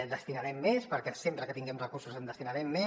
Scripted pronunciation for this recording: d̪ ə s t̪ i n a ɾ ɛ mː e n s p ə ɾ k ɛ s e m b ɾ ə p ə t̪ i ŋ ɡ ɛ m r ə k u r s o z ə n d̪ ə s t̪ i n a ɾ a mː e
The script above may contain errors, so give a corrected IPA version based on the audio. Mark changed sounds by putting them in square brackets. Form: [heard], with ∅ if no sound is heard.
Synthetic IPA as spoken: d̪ ə s t̪ i n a ɾ ɛ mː e [∅] s p ə ɾ k ɛ s e m [p] ɾ ə [k] ə t̪ i ŋ ɡ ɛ m r ə k u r s [u] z ə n d̪ ə s t̪ i n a ɾ [ɛ] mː e